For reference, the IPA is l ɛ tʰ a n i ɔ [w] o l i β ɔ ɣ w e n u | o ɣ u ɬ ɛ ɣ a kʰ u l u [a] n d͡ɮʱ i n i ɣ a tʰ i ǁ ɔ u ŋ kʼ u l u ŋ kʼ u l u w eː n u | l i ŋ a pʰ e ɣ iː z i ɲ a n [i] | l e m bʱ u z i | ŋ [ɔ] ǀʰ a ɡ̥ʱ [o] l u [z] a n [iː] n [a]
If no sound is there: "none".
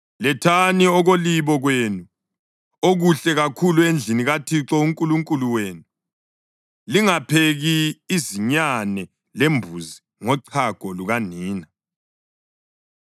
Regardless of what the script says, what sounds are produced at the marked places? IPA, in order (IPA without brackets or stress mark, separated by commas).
ɣ, e, ɛ, ɔ, ɔ, ɣ, iː, a